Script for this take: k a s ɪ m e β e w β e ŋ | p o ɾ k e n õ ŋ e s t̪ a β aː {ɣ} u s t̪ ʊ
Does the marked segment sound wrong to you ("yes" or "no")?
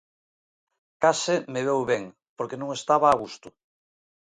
no